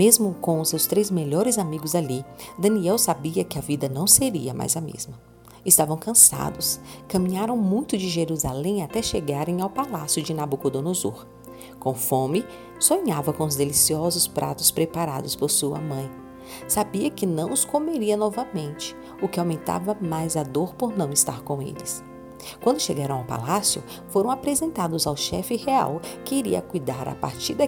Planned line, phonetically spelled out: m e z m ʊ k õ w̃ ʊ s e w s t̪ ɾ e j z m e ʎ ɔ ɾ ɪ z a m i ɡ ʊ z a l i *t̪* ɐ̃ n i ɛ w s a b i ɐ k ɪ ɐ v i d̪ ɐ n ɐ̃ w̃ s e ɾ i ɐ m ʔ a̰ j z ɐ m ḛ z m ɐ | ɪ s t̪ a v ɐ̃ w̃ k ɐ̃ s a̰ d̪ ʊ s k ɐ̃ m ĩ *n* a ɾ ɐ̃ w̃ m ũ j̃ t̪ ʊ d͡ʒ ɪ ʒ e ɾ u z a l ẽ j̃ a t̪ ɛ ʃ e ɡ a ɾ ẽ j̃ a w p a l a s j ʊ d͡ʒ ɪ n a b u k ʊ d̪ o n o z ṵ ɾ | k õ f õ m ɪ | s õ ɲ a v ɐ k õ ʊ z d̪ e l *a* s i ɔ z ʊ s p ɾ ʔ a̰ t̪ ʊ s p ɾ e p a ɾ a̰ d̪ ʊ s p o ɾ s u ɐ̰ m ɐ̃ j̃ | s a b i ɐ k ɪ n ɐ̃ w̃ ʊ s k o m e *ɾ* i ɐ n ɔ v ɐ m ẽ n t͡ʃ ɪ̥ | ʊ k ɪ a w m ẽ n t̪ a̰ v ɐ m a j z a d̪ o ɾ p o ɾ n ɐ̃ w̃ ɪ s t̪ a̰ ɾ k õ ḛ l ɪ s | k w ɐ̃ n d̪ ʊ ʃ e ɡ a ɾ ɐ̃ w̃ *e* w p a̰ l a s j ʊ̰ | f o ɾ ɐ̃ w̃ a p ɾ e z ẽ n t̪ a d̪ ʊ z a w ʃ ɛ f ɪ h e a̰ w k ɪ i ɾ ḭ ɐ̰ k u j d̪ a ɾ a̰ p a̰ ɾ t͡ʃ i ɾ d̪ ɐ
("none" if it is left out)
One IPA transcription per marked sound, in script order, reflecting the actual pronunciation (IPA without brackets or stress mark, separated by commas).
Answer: d̪, ɲ, i, ɾ, a